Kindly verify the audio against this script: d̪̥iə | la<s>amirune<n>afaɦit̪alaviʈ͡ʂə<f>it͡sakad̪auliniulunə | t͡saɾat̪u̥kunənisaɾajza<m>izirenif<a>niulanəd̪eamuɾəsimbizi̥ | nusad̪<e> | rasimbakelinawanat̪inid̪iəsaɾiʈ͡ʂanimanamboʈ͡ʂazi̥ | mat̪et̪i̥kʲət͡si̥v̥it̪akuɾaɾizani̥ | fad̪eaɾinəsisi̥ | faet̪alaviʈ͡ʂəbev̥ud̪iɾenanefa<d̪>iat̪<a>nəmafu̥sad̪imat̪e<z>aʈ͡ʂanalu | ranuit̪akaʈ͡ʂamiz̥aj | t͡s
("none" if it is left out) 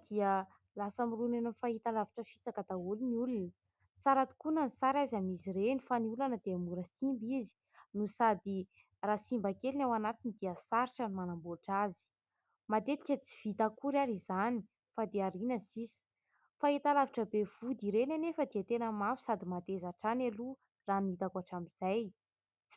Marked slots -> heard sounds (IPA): s, n, f, m, a, i, d̪, e, z

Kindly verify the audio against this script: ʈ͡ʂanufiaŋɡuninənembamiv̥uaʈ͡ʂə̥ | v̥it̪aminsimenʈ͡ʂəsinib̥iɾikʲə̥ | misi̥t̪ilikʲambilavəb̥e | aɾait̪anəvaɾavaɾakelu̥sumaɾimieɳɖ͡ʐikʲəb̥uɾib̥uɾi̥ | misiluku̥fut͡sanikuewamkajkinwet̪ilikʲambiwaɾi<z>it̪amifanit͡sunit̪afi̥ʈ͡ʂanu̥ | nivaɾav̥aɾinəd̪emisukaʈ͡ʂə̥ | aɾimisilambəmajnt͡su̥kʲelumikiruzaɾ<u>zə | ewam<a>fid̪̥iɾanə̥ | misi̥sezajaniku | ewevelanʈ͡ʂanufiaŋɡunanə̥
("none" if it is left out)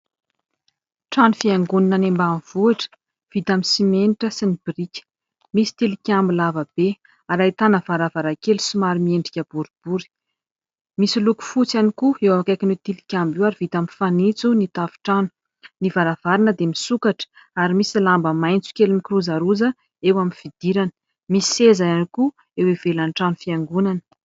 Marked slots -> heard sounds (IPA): v, u, i

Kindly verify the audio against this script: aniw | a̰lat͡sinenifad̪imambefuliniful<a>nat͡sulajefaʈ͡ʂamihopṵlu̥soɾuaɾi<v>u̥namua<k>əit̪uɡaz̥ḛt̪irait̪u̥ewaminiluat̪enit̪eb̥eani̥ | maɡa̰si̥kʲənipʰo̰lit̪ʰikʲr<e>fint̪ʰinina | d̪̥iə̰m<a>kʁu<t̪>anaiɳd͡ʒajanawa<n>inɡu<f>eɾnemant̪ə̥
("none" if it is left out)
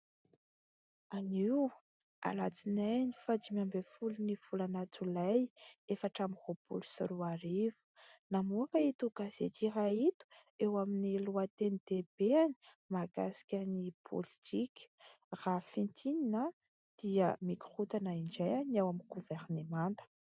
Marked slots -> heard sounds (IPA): a, v, k, a, i, t̪, m, v

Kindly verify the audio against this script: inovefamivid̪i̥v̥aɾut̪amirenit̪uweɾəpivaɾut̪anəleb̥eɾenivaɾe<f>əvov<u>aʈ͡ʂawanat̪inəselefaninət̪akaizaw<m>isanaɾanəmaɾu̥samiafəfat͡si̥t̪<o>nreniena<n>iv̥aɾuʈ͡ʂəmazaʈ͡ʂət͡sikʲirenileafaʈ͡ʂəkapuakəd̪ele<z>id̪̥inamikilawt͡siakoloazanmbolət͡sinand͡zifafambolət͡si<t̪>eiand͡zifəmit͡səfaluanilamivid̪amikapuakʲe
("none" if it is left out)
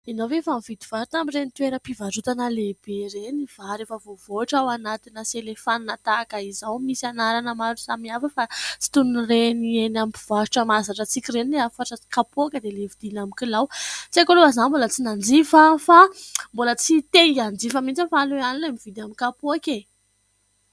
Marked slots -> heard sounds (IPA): f, o, m, u, m, v, t̪

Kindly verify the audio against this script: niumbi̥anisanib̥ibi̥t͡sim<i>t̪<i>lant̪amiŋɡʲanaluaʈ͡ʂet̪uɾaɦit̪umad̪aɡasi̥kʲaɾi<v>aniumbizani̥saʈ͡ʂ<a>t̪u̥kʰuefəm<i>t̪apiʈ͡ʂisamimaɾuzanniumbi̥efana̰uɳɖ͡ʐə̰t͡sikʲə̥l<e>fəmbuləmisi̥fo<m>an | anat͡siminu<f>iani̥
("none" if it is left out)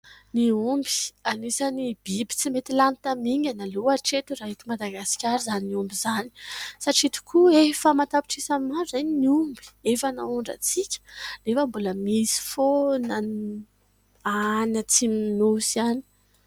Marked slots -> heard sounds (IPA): e, i, z, i, a, e, n, s

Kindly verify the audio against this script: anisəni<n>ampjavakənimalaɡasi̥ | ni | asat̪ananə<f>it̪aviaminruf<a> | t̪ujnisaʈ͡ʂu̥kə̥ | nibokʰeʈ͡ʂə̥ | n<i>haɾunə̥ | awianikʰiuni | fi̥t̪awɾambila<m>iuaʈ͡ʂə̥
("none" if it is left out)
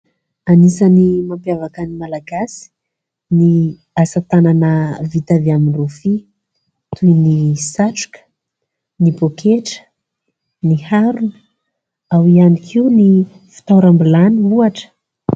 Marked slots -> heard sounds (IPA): m, v, i, i, n

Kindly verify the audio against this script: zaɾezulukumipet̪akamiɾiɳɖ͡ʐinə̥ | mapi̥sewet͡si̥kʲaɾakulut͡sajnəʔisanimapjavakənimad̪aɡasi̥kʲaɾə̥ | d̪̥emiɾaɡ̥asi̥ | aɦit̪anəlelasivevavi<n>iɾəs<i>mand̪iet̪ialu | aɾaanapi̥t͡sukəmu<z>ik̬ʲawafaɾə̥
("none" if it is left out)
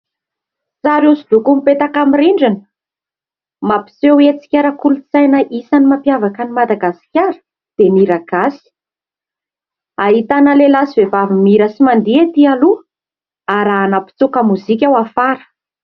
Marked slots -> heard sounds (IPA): m, i, z

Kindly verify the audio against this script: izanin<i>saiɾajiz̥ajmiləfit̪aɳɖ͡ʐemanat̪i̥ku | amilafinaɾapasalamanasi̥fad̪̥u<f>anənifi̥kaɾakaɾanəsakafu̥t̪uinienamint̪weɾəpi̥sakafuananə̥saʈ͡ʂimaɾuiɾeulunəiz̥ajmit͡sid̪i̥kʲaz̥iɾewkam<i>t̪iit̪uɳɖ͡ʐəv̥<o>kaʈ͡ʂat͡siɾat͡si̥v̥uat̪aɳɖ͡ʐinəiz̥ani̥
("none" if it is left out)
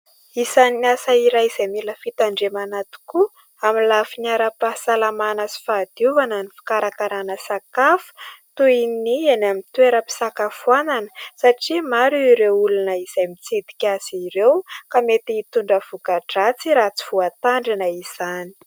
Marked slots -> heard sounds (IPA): a, v, e, u

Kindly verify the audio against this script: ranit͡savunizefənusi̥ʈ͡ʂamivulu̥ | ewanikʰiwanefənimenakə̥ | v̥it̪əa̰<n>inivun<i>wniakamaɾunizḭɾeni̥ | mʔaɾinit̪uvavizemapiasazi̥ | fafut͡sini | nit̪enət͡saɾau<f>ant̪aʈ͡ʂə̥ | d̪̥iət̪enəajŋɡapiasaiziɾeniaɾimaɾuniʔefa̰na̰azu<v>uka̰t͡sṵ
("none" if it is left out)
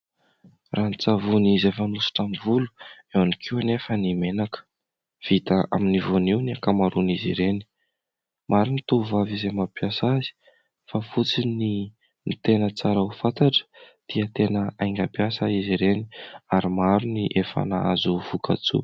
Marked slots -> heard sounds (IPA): m, i, f, v

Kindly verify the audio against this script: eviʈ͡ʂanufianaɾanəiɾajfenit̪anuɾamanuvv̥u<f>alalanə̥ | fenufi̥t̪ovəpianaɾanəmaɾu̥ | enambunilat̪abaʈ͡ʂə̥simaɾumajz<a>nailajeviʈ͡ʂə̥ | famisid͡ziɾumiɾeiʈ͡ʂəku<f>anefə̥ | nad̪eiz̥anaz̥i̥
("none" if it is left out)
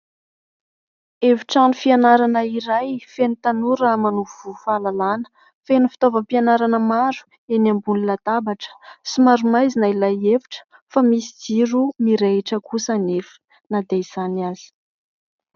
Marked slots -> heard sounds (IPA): f, i, s

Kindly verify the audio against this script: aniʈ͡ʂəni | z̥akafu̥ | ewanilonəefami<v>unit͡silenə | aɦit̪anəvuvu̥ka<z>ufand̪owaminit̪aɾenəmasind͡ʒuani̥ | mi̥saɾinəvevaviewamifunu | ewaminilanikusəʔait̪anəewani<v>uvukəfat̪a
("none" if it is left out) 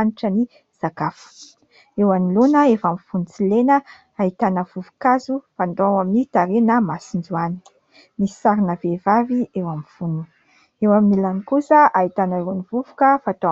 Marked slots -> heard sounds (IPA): f, z, v

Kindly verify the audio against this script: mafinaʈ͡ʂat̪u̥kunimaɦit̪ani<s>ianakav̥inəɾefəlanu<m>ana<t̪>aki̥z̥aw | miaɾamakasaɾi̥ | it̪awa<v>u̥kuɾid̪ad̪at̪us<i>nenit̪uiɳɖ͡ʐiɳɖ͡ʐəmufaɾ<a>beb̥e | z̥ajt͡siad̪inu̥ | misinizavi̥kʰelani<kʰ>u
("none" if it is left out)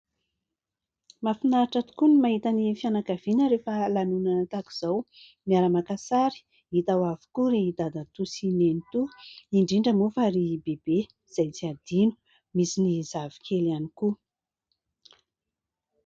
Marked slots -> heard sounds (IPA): f, n, t̪, v, i, i, k

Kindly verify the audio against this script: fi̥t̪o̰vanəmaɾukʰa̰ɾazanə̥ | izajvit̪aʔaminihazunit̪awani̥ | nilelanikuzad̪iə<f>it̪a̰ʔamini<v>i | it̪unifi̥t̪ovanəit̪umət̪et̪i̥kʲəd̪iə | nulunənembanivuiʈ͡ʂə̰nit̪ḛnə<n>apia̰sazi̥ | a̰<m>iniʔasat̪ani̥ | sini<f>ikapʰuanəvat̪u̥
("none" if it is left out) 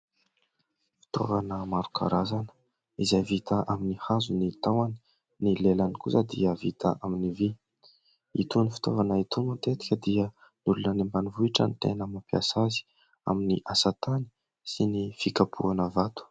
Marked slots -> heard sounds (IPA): v, v, m, m, f

